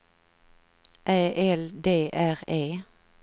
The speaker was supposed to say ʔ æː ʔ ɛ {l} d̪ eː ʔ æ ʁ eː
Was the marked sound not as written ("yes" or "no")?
no